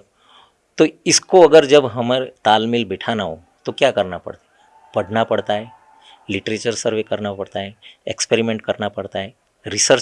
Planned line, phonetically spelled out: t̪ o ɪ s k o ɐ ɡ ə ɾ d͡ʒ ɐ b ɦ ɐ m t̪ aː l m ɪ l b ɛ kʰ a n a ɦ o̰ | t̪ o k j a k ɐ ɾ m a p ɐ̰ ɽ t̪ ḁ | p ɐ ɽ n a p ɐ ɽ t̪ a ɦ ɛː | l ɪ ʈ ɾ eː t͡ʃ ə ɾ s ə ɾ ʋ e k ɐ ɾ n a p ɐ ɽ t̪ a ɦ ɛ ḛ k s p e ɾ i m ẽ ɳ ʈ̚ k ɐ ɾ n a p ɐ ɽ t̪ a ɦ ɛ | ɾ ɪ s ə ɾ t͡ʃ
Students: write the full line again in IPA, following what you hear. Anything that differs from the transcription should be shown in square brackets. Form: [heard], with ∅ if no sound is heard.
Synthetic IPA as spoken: t̪ o ɪ s k o ɐ ɡ ə ɾ d͡ʒ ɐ b ɦ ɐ m t̪ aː l m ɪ l b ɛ [ʈʰ] a n a ɦ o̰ | t̪ o k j a k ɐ ɾ [n] a p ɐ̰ ɽ t̪ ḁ | p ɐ ɽ n a p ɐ ɽ t̪ a ɦ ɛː | l ɪ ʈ ɾ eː t͡ʃ ə ɾ s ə ɾ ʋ e k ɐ ɾ n a p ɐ ɽ t̪ a ɦ ɛ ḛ k s p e ɾ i m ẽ ɳ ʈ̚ k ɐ ɾ n a p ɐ ɽ t̪ a ɦ ɛ | ɾ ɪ s ə ɾ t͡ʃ